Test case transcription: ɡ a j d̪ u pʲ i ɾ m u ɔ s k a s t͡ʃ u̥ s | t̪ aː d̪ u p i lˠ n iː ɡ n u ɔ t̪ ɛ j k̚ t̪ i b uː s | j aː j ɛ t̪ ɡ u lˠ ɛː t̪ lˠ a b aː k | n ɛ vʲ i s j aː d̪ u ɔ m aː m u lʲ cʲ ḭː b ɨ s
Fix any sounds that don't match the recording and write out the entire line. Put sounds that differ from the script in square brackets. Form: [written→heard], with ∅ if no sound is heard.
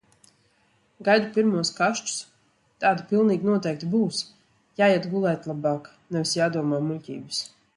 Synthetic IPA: ɡ a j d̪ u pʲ i ɾ m u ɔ s k a [s→ʃ] t͡ʃ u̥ s | t̪ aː d̪ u p i lˠ n iː ɡ n u ɔ t̪ ɛ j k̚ t̪ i b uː s | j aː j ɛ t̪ ɡ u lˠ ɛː t̪ lˠ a b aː k | n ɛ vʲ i s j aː d̪ u ɔ m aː m u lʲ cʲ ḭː b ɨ s

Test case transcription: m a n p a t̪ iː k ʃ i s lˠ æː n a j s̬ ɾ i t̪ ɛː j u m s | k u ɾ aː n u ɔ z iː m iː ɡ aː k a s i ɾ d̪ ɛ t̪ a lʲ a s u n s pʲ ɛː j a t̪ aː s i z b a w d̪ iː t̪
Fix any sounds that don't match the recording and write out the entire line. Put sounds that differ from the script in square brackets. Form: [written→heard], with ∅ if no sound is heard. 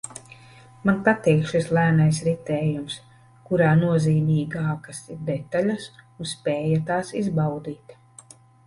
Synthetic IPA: m a n p a t̪ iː k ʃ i s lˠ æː n a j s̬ ɾ i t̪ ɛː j u m s | k u ɾ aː n u ɔ z iː m iː ɡ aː k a s i ɾ d̪ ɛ t̪ a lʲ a s u n s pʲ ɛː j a t̪ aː s i z b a w d̪ iː t̪

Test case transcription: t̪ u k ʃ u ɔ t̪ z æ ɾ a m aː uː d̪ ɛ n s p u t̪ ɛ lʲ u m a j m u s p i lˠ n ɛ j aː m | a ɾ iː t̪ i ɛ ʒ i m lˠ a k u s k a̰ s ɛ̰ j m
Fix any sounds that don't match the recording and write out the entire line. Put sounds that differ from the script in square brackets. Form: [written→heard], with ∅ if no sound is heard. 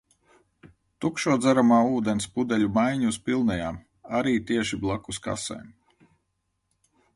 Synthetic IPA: t̪ u k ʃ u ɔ [t̪→d̪] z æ ɾ a m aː uː d̪ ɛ n s p u [t̪→d̪] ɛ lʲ u m a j [m→ɲ] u s p i lˠ n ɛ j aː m | a ɾ iː t̪ i ɛ [ʒ→ʃ] i [m→b] lˠ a k u s k a̰ s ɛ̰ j m

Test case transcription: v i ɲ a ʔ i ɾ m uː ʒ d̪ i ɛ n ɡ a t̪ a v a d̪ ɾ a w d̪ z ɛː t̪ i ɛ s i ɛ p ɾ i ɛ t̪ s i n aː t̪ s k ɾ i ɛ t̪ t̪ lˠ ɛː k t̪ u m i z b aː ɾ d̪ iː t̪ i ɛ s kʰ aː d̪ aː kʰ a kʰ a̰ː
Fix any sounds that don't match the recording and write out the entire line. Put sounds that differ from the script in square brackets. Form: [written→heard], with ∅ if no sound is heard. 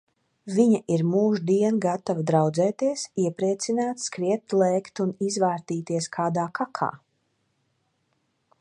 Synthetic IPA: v i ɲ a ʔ i ɾ m uː ʒ d̪ i ɛ n ɡ a t̪ a v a d̪ ɾ a w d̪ z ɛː t̪ i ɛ s i ɛ p ɾ i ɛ t̪ s i n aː t̪ s k ɾ i ɛ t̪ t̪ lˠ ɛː k t̪ u [m→n] i z [b→v] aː ɾ [d̪→t̪] iː t̪ i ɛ s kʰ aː d̪ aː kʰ a kʰ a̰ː

